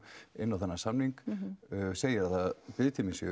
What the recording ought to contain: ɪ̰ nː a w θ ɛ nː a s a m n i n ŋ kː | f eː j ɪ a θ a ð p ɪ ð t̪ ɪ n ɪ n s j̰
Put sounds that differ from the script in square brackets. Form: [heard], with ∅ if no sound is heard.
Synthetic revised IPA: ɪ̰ nː a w θ ɛ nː a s a m n i [∅] ŋ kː | [s] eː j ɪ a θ a ð p ɪ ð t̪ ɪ [m] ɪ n s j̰